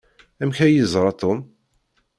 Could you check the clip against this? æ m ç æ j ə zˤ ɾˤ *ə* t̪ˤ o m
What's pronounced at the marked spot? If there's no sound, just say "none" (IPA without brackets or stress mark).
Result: ɑ